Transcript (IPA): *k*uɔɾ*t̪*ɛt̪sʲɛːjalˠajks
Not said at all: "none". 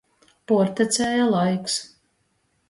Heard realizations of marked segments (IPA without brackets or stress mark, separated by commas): p, t̪